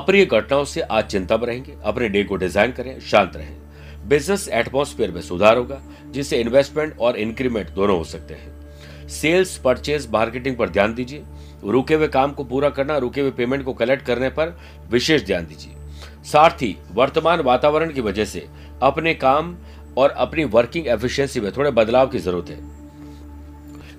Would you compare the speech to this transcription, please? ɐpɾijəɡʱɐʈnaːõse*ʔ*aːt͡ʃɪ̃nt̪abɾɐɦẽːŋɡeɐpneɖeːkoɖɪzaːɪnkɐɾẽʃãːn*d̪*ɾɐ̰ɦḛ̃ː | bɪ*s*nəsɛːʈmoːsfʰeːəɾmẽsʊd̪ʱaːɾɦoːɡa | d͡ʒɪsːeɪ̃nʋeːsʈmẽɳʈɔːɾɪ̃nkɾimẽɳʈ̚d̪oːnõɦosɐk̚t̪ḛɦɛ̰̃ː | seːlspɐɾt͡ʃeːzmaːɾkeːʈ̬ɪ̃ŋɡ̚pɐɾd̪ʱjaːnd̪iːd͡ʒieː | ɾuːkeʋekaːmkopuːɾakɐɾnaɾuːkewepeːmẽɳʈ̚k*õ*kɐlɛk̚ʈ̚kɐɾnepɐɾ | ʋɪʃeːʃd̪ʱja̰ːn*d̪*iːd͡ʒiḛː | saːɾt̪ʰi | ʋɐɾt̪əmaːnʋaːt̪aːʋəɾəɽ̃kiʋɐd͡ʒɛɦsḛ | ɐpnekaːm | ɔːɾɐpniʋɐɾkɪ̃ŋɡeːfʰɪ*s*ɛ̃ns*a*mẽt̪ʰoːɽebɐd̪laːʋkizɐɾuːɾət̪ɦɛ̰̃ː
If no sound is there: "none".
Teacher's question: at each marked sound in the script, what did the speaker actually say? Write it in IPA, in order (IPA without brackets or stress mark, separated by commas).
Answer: ʔ, t̪, z, o, d̪, ʃ, i